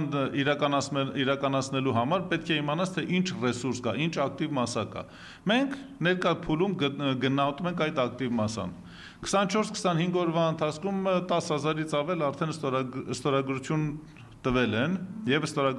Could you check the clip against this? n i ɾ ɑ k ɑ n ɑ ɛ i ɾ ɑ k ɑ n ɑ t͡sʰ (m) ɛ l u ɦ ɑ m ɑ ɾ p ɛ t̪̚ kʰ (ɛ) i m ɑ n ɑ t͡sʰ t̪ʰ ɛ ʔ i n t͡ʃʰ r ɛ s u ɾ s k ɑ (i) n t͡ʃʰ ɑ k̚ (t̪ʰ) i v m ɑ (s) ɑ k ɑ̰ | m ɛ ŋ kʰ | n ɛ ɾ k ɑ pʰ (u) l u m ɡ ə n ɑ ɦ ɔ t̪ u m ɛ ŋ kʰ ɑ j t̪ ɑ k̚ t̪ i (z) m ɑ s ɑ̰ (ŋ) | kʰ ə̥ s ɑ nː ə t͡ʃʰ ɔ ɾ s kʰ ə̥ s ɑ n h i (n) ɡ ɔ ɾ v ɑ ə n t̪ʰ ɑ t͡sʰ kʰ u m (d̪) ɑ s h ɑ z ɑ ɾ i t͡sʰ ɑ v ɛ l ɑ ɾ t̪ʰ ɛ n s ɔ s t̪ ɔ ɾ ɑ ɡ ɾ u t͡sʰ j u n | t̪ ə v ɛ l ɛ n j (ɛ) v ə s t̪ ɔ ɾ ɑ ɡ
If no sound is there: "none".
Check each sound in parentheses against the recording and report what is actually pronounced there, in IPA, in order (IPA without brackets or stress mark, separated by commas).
n, ɛ, i, t̪, s, u, v, n, ŋ, t̪, ɛ